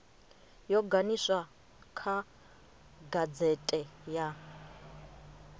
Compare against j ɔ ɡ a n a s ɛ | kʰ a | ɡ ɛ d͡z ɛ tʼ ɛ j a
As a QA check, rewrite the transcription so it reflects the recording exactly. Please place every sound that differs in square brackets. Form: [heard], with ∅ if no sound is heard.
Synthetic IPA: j ɔ ɡ a n [i] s [a] | kʰ a | ɡ [a] d͡z ɛ tʼ ɛ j a